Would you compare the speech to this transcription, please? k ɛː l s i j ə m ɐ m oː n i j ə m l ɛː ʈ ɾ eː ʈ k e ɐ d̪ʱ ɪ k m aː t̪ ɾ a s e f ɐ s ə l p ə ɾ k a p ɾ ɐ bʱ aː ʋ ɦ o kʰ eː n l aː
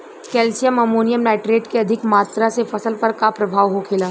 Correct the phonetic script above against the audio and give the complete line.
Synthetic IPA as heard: k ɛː l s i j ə m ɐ m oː n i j ə m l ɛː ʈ ɾ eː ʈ k e ɐ d̪ʱ ɪ k m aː t̪ ɾ a s e f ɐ s ə l p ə ɾ k a p ɾ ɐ bʱ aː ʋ ɦ o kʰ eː l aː